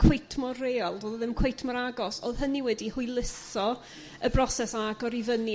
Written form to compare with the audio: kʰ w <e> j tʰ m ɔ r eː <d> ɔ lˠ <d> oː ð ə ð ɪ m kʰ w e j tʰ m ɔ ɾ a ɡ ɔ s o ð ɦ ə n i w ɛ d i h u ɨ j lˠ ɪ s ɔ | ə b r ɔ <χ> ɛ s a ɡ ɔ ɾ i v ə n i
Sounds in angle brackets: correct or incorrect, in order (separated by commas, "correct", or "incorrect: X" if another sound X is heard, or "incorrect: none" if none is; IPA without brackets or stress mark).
correct, incorrect: none, correct, incorrect: s